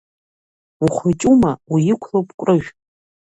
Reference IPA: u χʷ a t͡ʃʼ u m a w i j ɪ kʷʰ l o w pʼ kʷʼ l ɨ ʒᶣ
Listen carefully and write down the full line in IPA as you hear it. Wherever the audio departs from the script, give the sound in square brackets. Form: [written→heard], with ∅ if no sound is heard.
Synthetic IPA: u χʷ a t͡ʃʼ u m a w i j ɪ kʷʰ l o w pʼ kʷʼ [l→r] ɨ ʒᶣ